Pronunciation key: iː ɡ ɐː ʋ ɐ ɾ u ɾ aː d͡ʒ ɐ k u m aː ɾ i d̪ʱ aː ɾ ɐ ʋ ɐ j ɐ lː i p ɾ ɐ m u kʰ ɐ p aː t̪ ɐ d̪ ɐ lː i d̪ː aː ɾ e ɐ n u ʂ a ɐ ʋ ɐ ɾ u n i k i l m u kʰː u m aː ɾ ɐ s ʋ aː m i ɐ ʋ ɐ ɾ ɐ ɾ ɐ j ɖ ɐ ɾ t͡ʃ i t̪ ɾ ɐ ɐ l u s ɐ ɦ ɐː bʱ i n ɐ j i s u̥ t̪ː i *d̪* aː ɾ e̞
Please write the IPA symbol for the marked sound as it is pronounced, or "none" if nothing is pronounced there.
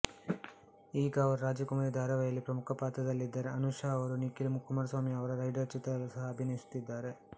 d̪ː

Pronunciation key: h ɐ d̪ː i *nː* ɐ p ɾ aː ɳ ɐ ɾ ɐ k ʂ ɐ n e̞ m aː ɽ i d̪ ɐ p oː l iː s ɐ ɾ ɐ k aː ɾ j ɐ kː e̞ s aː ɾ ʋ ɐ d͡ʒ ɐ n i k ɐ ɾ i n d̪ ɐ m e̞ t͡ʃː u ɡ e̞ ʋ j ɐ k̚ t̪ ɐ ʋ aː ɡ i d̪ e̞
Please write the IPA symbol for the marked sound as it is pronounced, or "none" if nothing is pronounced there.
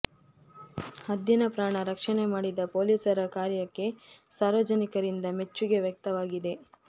n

